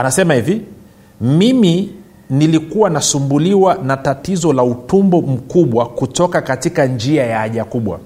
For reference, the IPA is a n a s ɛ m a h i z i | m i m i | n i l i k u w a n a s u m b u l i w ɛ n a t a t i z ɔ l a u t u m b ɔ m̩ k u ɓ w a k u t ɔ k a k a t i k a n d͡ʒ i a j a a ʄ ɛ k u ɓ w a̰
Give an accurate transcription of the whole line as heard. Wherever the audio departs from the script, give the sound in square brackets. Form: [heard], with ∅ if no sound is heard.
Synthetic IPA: a n a s ɛ m a h i [v] i | m i m i | n i l i k u w a n a s u m b u l i w [a] n a t a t i z ɔ l a u t u m b ɔ m̩ k u ɓ w a k u t ɔ k a k a t i k a n d͡ʒ i a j a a ʄ [a] k u ɓ w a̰